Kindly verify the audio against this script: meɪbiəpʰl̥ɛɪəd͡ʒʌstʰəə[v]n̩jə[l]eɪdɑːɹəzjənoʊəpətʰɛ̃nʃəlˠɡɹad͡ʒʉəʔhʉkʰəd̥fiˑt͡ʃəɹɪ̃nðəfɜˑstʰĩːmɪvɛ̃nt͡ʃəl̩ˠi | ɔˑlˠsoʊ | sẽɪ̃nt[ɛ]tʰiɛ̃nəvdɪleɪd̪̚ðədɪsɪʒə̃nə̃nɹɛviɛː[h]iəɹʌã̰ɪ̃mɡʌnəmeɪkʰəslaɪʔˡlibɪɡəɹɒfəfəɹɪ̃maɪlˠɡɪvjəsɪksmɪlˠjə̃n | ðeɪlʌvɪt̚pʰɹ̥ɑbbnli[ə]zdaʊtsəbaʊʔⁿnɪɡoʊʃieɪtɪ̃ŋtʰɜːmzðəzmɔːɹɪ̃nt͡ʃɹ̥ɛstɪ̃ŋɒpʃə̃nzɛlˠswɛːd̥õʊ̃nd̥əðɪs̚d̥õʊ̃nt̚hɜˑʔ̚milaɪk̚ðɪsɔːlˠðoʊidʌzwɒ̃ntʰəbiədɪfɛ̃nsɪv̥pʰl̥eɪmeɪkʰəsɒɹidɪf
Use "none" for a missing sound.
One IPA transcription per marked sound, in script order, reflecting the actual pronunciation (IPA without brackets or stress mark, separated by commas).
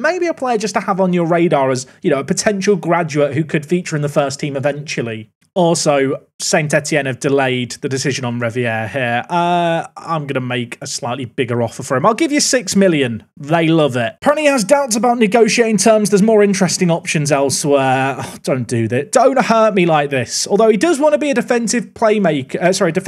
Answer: v, ɹ, ɛ, h, ə